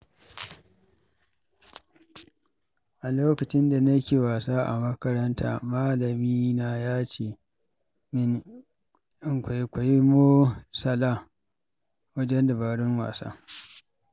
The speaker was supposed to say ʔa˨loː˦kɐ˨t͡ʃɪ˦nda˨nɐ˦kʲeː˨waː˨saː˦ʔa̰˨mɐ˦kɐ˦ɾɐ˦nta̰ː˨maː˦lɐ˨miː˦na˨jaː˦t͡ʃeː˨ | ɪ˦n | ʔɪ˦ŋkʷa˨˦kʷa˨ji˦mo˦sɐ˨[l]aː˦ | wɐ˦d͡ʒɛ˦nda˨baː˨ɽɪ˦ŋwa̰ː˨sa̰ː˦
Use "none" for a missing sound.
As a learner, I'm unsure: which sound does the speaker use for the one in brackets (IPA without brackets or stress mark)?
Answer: l